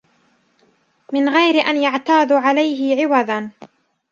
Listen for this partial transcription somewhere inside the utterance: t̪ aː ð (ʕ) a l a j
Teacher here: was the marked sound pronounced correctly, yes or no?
yes